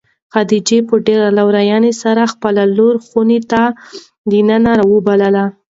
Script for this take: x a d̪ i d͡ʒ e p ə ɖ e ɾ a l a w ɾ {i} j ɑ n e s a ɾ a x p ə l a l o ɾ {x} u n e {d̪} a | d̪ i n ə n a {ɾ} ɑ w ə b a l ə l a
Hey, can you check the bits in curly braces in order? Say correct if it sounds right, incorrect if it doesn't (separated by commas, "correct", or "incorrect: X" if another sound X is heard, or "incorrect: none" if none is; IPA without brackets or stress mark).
incorrect: a, correct, incorrect: t̪, correct